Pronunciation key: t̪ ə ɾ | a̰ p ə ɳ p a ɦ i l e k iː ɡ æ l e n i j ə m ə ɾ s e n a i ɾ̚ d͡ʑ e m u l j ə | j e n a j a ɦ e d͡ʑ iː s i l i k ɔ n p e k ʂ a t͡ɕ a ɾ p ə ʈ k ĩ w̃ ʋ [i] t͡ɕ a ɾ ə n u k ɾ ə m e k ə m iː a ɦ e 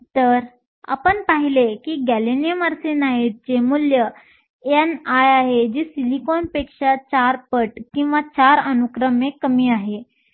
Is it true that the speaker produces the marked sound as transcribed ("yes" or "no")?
no